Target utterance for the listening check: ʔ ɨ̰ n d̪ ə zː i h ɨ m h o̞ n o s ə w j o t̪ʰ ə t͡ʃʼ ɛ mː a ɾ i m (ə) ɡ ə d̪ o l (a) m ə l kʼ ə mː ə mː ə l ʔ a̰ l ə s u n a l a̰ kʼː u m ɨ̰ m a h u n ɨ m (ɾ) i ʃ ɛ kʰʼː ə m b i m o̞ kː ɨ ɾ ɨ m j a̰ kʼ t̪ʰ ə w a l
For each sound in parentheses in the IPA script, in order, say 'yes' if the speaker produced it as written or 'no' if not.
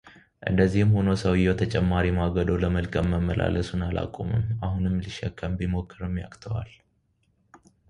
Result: no, no, no

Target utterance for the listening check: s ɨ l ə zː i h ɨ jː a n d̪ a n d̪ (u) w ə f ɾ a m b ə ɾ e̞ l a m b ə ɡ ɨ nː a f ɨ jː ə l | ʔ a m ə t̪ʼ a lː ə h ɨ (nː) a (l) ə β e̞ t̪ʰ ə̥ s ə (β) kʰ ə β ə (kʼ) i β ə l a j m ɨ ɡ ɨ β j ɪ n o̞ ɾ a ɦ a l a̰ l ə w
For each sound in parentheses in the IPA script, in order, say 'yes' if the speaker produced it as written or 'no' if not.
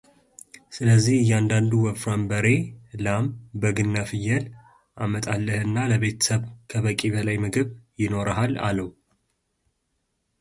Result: yes, yes, yes, yes, yes

